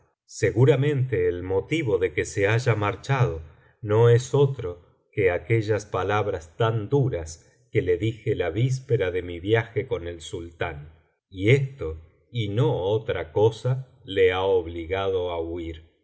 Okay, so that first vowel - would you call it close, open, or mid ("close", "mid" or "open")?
mid